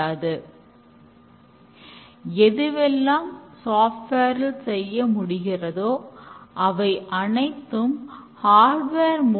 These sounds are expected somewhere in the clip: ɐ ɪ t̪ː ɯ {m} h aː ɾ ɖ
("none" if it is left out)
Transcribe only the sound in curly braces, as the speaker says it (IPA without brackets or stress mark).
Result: m